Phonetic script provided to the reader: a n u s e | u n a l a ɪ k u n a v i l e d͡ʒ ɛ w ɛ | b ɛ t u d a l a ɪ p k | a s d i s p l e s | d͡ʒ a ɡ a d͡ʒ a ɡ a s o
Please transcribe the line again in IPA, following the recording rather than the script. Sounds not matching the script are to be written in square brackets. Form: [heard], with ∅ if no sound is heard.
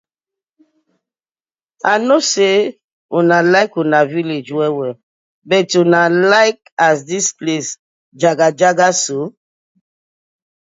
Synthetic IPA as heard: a n [o] s e | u n a l a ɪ k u n a v i l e d͡ʒ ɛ w ɛ | b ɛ t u [n] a l a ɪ [∅] k | a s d i s p l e s | d͡ʒ a ɡ a d͡ʒ a ɡ a s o